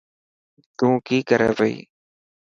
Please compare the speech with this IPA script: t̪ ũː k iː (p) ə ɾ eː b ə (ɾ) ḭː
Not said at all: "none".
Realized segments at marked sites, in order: k, none

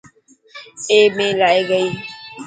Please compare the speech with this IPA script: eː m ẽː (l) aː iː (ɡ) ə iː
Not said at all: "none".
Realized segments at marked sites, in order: l, ɡ

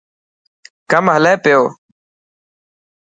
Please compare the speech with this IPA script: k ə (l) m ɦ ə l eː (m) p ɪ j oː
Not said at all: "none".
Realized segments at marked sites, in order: none, none

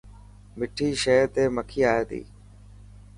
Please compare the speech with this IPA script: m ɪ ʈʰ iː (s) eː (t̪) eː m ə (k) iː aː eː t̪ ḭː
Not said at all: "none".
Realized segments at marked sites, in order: ʃ, t̪, kʰ

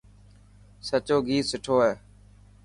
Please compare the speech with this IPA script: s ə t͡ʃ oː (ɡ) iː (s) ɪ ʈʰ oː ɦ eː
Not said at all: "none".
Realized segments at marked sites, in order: ɡ, s

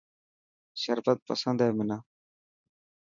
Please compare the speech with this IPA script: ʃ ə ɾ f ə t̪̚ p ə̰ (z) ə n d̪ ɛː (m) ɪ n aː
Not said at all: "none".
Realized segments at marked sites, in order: s, m

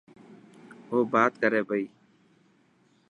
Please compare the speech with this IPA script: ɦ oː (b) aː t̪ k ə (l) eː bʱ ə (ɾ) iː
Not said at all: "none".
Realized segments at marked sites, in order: b, ɾ, none

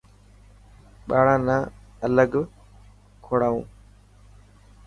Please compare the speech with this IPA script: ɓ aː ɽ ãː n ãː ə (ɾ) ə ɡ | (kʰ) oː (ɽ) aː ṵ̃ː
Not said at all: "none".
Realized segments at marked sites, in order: l, kʰ, ɽ

